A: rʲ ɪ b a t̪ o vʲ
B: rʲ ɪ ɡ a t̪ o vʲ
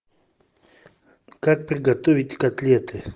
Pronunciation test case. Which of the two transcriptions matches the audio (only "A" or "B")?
B